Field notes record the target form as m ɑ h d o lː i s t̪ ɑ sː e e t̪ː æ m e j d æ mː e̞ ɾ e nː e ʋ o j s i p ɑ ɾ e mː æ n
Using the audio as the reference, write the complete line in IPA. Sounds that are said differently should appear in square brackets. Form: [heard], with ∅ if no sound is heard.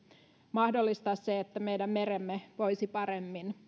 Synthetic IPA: m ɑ h d o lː i s t̪ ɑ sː e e t̪ː æ m e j d æ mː e̞ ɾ e [mː] e ʋ o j s i p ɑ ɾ e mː [i] n